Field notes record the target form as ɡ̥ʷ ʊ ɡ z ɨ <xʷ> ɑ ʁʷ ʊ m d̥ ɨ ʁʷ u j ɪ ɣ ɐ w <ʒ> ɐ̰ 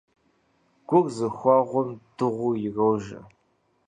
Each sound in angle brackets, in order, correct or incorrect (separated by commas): correct, correct